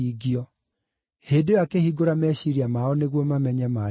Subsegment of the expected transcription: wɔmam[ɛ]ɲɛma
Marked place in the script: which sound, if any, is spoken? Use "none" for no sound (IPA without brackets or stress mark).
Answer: ɛ